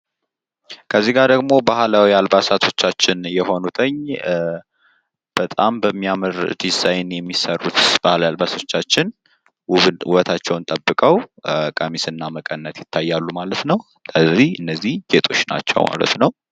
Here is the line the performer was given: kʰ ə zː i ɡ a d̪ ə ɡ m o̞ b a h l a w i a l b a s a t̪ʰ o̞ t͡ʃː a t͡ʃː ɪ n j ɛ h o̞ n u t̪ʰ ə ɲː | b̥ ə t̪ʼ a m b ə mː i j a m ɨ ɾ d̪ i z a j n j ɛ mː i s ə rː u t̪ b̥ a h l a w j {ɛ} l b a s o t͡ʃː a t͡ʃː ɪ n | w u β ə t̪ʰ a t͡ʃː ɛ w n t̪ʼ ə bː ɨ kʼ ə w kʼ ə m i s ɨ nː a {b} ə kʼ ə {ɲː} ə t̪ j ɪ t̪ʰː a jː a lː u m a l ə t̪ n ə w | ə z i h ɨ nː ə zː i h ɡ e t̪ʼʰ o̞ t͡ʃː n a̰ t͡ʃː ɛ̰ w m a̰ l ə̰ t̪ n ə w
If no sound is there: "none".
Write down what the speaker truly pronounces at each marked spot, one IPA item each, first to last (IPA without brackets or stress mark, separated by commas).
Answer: a, m, nː